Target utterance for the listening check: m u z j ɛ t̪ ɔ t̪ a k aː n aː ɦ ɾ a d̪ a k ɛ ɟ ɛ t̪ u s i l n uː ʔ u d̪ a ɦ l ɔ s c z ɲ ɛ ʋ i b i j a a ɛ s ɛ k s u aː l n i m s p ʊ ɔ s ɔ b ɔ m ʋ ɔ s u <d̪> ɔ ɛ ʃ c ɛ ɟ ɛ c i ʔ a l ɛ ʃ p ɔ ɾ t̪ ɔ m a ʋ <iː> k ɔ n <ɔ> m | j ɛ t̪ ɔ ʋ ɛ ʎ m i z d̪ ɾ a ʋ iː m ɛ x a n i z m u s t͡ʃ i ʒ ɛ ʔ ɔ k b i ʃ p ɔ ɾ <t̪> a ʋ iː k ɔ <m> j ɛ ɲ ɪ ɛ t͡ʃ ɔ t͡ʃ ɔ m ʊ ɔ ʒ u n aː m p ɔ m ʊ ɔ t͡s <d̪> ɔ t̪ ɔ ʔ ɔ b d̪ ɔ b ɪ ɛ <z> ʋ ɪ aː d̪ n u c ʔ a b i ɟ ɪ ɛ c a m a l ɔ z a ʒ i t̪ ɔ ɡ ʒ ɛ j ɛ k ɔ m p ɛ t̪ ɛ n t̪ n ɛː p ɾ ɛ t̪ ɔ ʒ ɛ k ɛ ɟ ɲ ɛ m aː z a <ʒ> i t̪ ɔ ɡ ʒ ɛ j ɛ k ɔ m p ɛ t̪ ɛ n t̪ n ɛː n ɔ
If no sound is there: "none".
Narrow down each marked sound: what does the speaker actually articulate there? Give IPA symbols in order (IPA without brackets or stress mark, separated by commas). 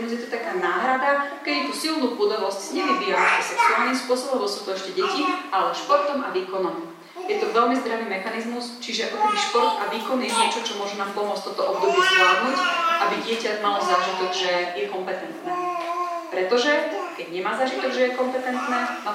t̪, iː, ɔ, t̪, n, t̪, z, ʒ